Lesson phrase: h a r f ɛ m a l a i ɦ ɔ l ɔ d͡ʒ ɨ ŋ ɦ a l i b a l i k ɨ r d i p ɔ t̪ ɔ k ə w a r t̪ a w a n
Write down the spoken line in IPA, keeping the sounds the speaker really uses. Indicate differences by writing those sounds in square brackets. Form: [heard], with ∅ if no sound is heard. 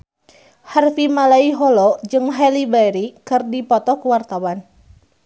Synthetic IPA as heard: h a r f [i] m a l a i ɦ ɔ l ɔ d͡ʒ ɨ ŋ ɦ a l i b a [ɾ] i k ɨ r d i p ɔ t̪ ɔ k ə w a r t̪ a w a n